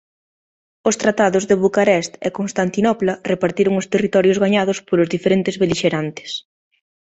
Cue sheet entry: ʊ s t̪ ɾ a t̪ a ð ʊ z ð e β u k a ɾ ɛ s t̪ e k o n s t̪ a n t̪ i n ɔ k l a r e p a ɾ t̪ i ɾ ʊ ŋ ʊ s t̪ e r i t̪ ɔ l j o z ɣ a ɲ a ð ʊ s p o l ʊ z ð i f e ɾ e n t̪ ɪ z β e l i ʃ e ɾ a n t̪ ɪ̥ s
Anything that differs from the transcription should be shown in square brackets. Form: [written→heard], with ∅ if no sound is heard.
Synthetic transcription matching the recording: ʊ s t̪ ɾ a t̪ a ð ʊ z ð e β u k a ɾ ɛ s t̪ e k o n s t̪ a n t̪ i n ɔ [k→p] l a r e p a ɾ t̪ i ɾ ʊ ŋ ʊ s t̪ e r i t̪ ɔ [l→ɾ] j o z ɣ a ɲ a ð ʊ s p o l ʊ z ð i f e ɾ e n t̪ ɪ z β e l i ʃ e ɾ a n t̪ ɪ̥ s